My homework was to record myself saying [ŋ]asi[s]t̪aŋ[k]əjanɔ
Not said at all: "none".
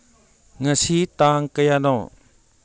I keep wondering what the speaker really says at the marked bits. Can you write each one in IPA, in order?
ŋ, none, k

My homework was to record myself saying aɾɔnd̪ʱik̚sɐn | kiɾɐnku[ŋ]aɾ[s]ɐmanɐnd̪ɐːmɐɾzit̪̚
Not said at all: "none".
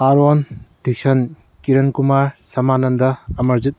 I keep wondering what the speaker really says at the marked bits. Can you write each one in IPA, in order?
m, s

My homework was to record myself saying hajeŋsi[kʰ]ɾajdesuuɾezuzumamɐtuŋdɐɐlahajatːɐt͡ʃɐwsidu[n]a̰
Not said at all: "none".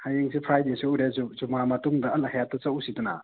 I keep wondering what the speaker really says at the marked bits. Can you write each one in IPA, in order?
pʰ, n

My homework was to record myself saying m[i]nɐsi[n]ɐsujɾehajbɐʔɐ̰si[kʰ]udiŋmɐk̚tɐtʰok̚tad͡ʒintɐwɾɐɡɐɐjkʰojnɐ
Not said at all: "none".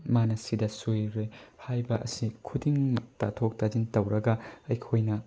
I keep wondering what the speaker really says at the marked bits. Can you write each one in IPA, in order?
a, d, kʰ

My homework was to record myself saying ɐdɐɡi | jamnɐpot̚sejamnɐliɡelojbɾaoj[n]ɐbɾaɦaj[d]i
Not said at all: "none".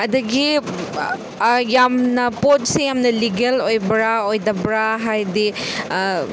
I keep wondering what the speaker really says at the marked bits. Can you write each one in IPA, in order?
d, d

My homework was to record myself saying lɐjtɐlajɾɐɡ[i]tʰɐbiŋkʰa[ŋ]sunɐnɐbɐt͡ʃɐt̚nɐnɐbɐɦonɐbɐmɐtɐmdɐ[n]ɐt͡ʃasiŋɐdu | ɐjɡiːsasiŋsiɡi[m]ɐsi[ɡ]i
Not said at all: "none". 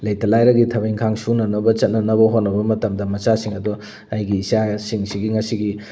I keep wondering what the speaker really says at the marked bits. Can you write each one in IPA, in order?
i, ŋ, m, ŋ, ɡ

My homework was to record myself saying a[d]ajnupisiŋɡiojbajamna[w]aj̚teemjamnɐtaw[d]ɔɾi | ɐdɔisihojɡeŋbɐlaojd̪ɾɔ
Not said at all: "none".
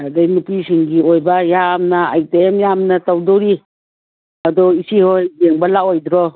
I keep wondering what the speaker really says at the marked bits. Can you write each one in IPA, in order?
d, none, d

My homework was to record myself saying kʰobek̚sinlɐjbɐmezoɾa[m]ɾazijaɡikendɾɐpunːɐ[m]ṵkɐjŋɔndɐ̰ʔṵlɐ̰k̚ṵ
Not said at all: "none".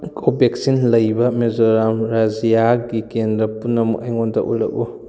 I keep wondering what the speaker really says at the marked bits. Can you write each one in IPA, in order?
m, m

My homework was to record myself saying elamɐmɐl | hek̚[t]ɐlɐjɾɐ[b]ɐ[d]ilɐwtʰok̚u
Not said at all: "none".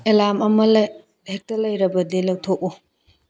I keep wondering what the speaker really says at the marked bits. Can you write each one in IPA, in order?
t, b, d

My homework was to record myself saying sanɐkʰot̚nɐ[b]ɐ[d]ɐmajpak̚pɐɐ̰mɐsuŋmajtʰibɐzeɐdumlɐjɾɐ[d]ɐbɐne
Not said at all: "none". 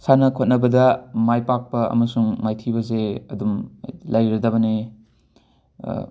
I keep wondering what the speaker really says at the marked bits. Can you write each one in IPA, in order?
b, d, d

